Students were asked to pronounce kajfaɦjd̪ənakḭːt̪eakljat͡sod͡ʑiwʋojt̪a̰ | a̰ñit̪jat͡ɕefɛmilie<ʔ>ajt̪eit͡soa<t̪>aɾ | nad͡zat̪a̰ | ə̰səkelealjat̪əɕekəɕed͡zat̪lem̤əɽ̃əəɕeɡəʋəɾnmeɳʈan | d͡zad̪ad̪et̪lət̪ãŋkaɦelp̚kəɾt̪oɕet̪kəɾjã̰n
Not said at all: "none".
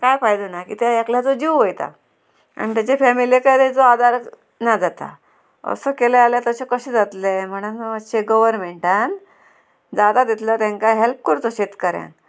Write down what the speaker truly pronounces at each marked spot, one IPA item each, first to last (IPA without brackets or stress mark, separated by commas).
k, d̪